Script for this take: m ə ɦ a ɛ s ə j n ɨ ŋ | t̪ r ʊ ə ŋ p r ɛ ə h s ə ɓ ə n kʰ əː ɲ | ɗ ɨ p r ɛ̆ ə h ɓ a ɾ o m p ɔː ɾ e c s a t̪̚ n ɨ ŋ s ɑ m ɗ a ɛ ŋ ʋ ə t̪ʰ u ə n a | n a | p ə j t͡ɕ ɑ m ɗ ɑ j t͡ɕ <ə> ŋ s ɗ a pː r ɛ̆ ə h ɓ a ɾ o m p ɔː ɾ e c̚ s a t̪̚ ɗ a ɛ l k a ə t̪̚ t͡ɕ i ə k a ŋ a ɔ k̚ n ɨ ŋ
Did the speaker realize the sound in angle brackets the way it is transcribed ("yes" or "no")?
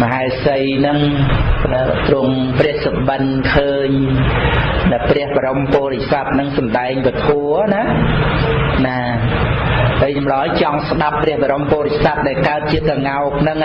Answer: no